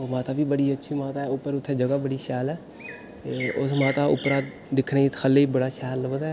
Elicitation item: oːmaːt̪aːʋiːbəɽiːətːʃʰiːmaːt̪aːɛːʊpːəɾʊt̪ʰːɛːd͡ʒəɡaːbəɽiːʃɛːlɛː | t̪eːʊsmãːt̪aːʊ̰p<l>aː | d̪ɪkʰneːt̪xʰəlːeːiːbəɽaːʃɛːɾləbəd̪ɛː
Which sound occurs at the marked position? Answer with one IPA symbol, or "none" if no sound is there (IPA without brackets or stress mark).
ɾ